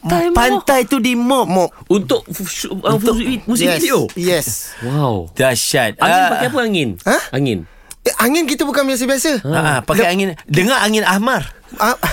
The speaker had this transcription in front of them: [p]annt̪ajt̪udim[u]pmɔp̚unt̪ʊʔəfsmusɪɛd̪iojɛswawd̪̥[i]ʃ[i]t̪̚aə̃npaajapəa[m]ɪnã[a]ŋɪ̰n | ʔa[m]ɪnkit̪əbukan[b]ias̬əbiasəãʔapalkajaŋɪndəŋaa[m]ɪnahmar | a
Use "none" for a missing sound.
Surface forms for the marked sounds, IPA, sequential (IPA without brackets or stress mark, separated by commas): p, ɔ, a, a, ŋ, a, ŋ, b, ŋ